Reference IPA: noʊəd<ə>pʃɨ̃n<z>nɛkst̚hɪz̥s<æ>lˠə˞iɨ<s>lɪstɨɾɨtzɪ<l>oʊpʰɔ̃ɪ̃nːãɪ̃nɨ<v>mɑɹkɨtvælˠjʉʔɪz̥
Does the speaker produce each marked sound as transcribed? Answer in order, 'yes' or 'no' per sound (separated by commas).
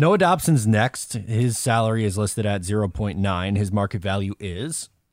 no, yes, yes, no, no, no